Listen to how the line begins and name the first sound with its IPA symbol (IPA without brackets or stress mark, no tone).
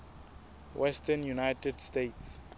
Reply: w